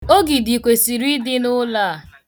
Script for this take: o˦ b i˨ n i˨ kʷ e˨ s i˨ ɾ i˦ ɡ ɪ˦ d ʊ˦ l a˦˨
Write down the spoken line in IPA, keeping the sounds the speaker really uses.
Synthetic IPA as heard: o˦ ɡ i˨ d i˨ kʷ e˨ s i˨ ɾ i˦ d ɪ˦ n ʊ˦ l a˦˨